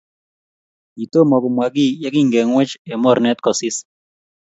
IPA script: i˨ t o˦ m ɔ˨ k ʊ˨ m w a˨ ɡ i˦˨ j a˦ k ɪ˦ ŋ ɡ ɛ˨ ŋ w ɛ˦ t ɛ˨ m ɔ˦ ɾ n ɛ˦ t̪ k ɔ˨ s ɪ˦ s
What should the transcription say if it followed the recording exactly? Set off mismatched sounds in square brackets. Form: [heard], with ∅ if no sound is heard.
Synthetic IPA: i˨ t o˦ m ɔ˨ k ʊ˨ m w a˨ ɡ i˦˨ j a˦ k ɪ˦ ŋ ɡ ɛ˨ ŋ w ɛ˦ [t͡ʃ] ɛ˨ m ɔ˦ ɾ n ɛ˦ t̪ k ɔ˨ s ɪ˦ s